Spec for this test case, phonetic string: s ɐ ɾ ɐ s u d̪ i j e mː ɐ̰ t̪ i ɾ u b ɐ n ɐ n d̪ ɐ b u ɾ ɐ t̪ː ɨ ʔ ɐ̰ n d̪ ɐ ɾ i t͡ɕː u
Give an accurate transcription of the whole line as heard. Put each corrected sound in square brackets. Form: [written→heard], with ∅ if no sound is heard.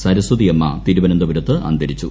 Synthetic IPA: s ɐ ɾ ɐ s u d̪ i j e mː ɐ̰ t̪ i ɾ u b ɐ n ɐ n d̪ ɐ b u ɾ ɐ t̪ː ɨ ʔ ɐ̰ n d̪ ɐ ɾ i t͡ɕː u